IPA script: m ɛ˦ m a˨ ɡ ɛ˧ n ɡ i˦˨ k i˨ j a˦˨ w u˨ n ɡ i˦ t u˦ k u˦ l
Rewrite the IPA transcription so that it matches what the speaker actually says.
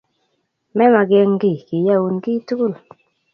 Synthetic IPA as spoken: m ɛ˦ m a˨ ɡ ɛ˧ ŋ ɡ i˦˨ k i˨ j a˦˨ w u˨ n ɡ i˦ t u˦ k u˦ l

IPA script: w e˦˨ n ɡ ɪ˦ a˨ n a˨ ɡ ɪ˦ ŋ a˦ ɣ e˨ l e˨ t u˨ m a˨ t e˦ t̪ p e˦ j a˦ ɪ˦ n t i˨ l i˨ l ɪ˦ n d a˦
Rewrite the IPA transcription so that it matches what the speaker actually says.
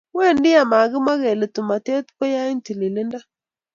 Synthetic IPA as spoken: w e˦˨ n d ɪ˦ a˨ m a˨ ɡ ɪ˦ m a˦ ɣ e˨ l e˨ t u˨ m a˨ t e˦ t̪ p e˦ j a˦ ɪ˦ n t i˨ l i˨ l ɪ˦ n d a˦

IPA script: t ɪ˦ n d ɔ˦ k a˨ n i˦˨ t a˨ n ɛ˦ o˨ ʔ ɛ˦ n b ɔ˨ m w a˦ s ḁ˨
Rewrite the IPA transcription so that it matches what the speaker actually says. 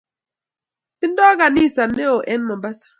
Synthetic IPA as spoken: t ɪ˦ n d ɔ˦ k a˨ n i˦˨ s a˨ n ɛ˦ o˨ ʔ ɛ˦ n m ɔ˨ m b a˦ s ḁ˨

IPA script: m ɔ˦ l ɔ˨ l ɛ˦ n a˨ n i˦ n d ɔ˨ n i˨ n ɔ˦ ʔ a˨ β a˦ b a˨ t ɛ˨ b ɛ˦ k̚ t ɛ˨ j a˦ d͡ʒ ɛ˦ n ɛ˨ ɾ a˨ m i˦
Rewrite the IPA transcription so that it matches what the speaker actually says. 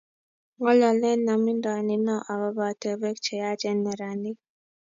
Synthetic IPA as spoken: ŋ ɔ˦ l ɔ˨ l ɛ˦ n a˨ m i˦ n d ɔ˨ n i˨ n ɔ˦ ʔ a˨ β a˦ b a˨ t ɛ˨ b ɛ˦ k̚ t͡ʃ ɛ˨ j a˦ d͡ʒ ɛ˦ n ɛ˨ ɾ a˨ n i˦

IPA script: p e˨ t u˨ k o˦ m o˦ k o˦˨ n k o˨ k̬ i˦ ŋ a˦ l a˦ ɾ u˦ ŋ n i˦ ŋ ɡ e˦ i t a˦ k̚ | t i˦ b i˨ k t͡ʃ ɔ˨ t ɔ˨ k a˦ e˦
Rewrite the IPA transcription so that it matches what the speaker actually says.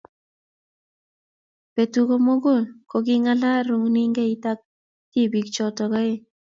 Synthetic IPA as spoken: p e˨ t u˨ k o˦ m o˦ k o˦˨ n k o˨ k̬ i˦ ŋ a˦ l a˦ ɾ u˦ ŋ n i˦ ŋ ɡ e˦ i t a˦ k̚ | t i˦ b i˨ k t͡ʃ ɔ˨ t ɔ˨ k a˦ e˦

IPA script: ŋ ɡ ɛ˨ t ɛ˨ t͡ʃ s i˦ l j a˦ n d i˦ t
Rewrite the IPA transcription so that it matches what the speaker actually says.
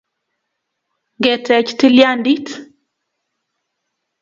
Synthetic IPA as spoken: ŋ ɡ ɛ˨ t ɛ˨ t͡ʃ t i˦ l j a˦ n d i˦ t

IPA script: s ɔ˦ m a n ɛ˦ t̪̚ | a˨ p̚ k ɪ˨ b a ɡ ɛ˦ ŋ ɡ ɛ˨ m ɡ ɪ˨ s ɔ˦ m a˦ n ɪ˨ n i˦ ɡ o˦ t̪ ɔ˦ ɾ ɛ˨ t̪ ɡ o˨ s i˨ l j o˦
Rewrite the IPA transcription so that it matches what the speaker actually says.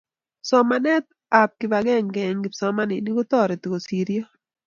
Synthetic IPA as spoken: s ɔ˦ m a n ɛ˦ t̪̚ | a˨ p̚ k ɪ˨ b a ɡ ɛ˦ ŋ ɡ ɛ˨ ŋ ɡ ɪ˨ s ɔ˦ m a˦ n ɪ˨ n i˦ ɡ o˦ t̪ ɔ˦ ɾ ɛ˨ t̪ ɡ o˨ s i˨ ɾ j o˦

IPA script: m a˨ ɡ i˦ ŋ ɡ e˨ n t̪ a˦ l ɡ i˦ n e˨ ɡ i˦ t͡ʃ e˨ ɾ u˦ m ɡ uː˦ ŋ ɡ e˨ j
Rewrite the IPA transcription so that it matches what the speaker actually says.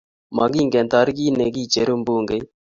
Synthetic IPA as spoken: m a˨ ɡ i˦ ŋ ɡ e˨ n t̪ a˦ ɾ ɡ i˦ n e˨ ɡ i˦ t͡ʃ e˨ ɾ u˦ m b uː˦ ŋ ɡ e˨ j

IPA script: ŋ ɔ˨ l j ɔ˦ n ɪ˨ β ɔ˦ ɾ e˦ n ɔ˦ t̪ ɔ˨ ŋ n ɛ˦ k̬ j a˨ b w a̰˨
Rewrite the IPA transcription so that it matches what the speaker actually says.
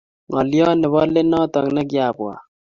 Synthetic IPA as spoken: ŋ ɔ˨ l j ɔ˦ n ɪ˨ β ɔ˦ l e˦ n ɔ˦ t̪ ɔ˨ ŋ n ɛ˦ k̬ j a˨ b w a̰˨

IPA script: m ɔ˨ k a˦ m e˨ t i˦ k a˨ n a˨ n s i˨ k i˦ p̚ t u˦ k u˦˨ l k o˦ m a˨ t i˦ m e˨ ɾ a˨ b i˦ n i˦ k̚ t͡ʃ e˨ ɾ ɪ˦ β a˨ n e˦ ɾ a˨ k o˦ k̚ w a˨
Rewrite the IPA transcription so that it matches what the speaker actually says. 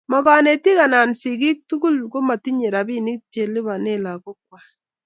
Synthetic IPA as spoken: m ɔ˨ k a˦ n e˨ t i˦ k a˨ n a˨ n s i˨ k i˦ k̚ t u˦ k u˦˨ l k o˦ m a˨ t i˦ ɲ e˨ ɾ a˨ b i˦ n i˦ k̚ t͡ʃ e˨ l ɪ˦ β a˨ n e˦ l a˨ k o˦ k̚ w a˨

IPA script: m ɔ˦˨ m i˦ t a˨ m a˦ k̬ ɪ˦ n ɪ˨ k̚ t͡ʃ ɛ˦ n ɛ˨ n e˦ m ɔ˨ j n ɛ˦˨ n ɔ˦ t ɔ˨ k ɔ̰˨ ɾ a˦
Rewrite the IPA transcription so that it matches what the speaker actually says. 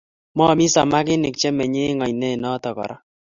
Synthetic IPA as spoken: m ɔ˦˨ m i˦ s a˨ m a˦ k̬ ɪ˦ n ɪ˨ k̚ t͡ʃ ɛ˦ m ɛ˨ ɲ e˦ ŋ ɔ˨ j n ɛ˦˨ n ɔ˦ t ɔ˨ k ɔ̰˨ ɾ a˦

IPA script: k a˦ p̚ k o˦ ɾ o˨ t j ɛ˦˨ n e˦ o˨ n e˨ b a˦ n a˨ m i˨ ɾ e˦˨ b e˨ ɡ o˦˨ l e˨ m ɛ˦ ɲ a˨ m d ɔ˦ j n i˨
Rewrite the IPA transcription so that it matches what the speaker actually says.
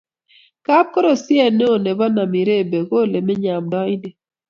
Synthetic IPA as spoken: k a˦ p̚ k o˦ ɾ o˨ s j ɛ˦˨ n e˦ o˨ n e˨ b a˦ n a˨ m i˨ ɾ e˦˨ b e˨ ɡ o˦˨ l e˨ m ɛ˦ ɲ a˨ m d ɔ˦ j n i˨

